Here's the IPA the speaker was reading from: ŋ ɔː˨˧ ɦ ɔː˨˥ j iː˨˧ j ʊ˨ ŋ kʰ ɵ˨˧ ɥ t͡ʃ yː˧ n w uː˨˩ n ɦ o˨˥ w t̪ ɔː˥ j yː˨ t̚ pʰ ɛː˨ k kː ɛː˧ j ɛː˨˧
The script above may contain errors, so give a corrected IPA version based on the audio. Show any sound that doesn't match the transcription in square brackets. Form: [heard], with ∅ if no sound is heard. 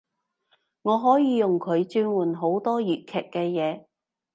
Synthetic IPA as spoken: ŋ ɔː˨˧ ɦ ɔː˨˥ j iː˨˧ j ʊ˨ ŋ kʰ ɵ˨˧ ɥ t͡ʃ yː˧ n w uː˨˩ n ɦ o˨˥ w t̪ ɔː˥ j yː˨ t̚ [kʰ] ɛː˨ k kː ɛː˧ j ɛː˨˧